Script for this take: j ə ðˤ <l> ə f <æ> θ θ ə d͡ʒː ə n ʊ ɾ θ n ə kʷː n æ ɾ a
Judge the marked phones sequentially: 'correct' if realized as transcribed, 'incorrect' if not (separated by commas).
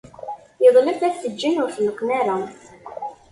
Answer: correct, correct